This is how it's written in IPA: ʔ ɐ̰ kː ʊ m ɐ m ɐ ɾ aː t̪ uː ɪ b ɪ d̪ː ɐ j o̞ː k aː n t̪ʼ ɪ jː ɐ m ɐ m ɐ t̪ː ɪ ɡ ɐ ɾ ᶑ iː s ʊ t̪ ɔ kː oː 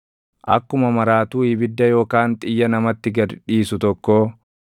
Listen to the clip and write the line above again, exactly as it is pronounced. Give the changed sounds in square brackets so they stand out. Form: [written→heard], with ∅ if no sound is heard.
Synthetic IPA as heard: ʔ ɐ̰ kː ʊ m ɐ m ɐ ɾ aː t̪ uː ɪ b ɪ d̪ː ɐ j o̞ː k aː n t̪ʼ ɪ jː ɐ [m→n] ɐ m ɐ t̪ː ɪ ɡ ɐ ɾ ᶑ iː s ʊ t̪ ɔ kː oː